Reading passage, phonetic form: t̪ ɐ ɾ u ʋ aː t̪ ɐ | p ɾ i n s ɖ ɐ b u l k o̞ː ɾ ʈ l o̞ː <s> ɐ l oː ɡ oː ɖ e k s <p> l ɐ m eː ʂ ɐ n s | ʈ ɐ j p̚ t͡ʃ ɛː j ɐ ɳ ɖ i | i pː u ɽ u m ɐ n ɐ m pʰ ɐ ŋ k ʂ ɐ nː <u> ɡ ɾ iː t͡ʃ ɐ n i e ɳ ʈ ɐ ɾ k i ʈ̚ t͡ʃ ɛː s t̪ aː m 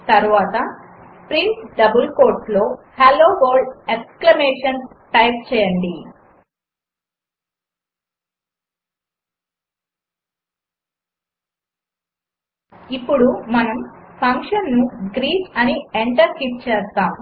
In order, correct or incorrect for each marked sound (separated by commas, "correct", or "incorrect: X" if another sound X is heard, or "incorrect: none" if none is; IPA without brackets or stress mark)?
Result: incorrect: h, incorrect: k, correct